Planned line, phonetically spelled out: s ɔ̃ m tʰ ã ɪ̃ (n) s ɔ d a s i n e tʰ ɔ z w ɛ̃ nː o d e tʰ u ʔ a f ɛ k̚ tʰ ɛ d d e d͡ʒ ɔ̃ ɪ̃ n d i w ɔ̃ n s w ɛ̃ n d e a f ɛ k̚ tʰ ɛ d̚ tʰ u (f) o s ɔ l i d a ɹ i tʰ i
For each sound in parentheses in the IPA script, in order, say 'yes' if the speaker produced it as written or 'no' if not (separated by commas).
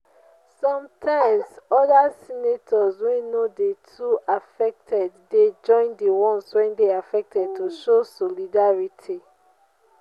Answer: no, no